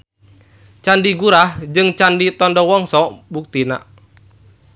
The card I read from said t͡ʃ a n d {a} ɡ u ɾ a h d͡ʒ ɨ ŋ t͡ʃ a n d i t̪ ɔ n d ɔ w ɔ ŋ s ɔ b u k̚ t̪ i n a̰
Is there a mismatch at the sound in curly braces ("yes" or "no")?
yes